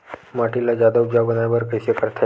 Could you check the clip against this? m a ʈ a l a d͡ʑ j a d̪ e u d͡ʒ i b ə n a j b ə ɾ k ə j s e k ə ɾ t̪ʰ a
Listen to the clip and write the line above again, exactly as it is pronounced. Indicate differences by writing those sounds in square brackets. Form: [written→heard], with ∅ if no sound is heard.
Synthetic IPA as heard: m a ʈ [a→i] l a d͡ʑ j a d̪ [e→a] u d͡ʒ [i→a] b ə n a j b ə ɾ k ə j s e k ə ɾ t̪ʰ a